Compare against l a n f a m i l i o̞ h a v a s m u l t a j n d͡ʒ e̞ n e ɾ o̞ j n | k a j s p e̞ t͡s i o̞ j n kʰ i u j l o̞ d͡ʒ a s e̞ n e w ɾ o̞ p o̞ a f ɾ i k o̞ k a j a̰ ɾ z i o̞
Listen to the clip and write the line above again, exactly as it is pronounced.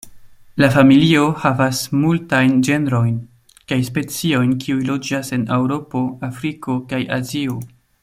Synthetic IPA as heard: l a f a m i l i o̞ h a v a s m u l t a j n d͡ʒ e̞ n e ɾ o̞ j n | k a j s p e̞ t͡s i o̞ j n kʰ i u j l o̞ d͡ʒ a s e̞ n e w ɾ o̞ p o̞ a f ɾ i k o̞ k a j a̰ z i o̞

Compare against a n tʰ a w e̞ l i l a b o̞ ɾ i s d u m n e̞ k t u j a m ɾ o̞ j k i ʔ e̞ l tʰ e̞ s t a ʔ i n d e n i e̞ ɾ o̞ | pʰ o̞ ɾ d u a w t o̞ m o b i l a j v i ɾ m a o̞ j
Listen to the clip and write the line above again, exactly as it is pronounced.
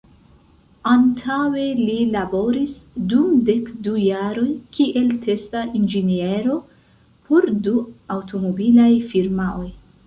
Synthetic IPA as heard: a n tʰ a w e̞ l i l a b o̞ ɾ i s d u m d e̞ k d u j a ɾ o̞ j k i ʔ e̞ l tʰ e̞ s t a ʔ i n d͡ʒ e n i e̞ ɾ o̞ | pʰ o̞ ɾ d u a w t o̞ m o b i l a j f i ɾ m a o̞ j

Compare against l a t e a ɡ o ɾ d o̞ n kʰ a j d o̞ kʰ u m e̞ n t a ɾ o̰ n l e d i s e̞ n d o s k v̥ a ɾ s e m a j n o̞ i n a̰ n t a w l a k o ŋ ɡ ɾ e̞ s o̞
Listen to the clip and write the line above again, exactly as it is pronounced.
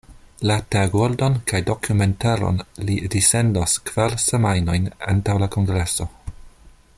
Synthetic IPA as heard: l a t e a ɡ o ɾ d o̞ n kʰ a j d o̞ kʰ u m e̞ n t a ɾ o̰ n l i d i s e̞ n d o s k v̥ a ɾ s e m a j n o̞ j n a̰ n t a w l a k o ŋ ɡ ɾ e̞ s o̞

